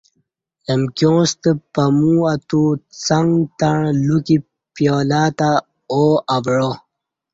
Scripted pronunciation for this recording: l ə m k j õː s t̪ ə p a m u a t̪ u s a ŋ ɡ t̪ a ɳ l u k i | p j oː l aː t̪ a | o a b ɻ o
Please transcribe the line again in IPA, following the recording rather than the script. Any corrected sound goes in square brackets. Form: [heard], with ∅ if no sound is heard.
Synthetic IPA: l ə m k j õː s t̪ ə p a m u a t̪ u [t͡s] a ŋ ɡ t̪ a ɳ l u k i | p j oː l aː t̪ a | o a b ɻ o